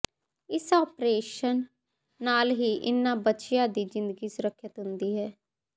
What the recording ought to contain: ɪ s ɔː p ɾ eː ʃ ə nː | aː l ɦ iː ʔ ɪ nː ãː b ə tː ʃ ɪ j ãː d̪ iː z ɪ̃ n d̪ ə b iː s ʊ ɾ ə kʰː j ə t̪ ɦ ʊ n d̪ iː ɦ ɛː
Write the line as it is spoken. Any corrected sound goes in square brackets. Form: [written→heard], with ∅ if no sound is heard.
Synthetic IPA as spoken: ɪ s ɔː p ɾ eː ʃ ə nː | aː l ɦ iː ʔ ɪ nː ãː b ə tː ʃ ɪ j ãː d̪ iː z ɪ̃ n d̪ ə [b→ɡ] iː s ʊ ɾ ə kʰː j ə t̪ ɦ ʊ n d̪ iː ɦ ɛː